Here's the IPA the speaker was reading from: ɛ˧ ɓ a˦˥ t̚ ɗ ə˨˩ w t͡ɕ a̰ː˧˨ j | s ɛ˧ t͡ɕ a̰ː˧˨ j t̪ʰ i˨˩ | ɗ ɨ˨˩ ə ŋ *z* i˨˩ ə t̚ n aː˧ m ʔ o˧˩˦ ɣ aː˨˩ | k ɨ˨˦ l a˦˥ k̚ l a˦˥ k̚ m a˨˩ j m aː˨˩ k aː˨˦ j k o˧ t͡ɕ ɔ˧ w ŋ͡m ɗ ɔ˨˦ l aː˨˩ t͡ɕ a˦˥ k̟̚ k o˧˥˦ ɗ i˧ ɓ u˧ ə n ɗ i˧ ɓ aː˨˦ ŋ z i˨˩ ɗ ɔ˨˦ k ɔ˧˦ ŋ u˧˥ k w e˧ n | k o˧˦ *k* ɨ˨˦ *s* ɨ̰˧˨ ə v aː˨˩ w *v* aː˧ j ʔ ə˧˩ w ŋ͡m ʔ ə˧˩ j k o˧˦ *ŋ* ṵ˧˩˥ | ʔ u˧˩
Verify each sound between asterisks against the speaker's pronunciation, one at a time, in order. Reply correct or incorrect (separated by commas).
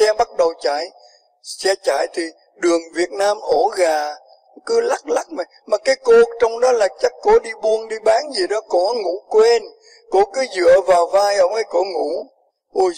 incorrect, correct, incorrect, correct, correct